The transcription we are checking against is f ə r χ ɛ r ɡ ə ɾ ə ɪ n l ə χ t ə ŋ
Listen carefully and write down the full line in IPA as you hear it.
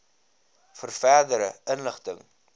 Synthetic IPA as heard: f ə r f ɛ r d ə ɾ ə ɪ n l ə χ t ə ŋ